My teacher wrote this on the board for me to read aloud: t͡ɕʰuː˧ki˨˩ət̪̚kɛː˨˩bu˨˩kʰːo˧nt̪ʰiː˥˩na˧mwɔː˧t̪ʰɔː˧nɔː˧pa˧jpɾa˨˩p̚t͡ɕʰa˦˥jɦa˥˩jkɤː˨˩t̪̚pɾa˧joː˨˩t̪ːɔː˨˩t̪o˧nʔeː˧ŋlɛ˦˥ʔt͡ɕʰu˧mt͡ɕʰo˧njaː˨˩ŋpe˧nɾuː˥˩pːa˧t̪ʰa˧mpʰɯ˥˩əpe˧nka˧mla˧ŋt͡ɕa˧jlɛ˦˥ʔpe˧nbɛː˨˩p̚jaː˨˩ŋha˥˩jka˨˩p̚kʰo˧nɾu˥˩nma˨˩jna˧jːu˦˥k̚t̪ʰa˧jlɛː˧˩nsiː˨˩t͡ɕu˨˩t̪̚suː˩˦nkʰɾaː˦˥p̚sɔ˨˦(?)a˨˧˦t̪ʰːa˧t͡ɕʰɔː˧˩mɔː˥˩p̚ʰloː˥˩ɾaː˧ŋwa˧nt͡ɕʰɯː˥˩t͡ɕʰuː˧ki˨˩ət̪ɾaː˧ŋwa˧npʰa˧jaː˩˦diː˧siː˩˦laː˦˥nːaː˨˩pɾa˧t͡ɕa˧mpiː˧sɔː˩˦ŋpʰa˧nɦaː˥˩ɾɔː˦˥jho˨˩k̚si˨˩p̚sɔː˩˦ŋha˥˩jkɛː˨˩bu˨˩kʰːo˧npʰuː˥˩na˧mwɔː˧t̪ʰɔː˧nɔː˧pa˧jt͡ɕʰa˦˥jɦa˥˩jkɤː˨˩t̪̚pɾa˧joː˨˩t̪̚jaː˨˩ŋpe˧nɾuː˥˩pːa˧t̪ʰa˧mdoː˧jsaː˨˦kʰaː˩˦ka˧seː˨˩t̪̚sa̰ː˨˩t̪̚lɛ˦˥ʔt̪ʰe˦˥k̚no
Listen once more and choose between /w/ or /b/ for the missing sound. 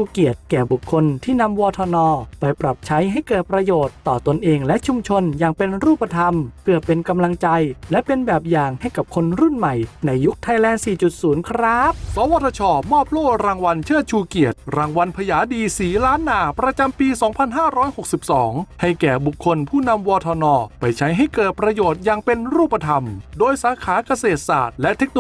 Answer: w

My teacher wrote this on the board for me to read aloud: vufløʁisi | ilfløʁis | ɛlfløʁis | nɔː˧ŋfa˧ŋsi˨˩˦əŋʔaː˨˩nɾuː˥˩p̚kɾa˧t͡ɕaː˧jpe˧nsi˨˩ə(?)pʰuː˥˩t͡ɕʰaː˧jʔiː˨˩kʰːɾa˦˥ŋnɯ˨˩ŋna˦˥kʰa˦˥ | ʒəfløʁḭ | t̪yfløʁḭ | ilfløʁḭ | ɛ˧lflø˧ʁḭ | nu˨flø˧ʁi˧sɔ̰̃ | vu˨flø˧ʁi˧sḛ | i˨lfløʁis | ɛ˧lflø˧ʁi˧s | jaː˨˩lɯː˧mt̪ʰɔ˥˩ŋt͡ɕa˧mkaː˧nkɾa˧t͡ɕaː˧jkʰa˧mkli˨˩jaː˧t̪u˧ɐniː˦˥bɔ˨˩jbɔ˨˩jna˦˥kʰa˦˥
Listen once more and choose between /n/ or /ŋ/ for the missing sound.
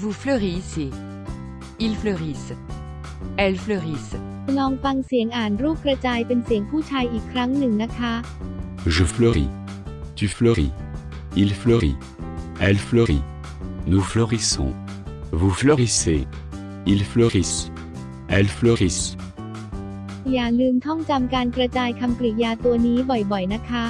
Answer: ŋ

